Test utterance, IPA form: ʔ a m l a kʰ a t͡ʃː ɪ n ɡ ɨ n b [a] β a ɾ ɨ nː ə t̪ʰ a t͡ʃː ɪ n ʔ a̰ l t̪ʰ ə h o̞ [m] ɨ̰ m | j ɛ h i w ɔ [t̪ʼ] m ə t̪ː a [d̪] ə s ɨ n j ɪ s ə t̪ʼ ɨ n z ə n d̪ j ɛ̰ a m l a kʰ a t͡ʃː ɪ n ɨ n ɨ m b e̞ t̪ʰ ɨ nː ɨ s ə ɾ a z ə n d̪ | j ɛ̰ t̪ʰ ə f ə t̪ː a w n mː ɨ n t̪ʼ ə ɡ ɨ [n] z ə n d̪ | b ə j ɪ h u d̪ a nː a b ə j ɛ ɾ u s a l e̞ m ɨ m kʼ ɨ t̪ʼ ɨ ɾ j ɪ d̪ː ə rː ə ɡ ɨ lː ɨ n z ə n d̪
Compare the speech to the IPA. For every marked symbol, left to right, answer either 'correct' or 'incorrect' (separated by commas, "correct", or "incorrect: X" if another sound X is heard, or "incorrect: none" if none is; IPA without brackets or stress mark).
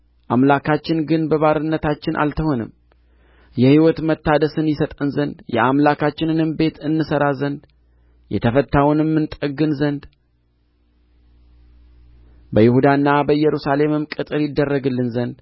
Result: incorrect: ə, incorrect: n, incorrect: t̪, correct, correct